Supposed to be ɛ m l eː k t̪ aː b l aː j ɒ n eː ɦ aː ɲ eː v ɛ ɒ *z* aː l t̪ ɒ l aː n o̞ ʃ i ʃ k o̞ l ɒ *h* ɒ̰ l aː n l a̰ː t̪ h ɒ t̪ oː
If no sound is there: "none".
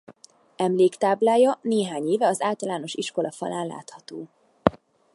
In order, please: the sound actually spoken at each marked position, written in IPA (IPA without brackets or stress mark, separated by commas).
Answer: z, f